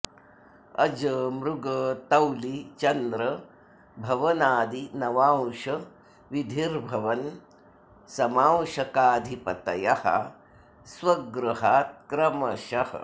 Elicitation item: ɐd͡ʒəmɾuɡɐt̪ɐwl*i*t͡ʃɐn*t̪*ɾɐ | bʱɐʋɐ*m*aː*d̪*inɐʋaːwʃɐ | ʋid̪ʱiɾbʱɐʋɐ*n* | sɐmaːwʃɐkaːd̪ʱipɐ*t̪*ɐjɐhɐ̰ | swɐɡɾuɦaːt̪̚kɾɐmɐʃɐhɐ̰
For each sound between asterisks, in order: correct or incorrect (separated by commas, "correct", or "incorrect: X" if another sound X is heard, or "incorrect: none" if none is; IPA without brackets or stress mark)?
correct, incorrect: d̪, incorrect: n, correct, correct, correct